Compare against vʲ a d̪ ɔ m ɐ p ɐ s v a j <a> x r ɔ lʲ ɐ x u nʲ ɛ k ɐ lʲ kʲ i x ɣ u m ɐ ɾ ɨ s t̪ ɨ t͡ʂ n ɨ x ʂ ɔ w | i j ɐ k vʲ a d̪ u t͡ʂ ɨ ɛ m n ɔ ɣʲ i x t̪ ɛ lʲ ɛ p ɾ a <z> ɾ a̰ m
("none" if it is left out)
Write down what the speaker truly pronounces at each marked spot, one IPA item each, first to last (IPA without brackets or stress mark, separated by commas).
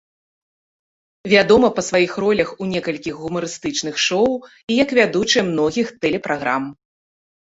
i, ɣ